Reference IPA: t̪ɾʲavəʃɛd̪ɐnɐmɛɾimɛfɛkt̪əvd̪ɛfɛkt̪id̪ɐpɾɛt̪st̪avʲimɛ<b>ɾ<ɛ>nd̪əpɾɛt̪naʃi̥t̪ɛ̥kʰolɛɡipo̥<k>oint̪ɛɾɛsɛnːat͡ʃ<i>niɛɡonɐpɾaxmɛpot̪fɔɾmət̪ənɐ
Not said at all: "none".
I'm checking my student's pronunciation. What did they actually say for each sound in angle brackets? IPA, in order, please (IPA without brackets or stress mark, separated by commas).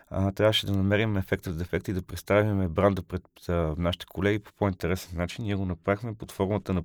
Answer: b, a, p, i